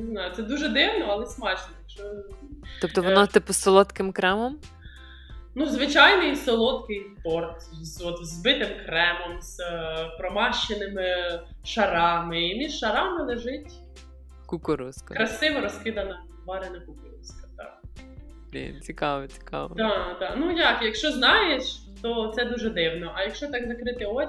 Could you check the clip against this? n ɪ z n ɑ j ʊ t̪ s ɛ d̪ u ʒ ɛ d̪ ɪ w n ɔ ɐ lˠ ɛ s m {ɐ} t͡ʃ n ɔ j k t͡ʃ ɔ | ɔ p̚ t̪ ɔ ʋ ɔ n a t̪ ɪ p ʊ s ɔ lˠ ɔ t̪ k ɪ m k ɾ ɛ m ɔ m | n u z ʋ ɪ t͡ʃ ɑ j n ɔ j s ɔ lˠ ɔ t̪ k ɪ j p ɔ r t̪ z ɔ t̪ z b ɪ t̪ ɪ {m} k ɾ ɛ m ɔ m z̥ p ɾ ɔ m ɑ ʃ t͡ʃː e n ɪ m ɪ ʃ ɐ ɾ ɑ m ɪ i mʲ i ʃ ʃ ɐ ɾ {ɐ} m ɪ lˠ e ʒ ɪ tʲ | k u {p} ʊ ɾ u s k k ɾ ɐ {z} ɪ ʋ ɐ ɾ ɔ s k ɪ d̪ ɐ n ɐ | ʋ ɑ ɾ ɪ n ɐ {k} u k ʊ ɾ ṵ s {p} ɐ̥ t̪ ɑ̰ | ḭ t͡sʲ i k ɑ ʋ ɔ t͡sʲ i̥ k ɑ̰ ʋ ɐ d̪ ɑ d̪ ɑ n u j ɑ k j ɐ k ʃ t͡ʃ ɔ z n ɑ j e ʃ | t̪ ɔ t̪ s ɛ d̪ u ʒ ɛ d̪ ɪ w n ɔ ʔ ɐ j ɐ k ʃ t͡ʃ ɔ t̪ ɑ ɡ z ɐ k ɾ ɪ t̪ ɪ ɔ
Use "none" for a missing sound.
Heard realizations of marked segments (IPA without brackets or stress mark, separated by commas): ɑ, m, ɑ, k, s, k, k